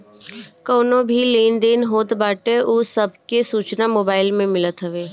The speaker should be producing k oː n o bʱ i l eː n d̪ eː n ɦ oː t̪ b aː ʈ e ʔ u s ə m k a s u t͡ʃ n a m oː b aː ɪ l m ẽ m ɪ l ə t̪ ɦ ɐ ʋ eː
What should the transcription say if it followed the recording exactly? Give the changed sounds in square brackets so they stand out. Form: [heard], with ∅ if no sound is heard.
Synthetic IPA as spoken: k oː n o bʱ i l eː n d̪ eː n ɦ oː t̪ b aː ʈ e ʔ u s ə [b] k [e] s [uː] t͡ʃ n a m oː b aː ɪ l m ẽ m ɪ l ə t̪ ɦ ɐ ʋ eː